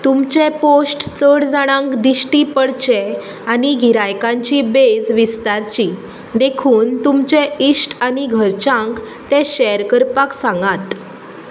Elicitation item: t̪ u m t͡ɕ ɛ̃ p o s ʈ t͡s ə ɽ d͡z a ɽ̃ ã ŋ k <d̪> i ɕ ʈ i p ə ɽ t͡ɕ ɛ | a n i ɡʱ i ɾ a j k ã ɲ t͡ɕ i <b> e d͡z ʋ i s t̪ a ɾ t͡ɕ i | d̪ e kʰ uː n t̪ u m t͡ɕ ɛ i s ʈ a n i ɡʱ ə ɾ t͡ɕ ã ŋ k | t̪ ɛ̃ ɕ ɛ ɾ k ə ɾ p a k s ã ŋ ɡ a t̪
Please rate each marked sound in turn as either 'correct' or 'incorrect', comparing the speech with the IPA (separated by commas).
correct, correct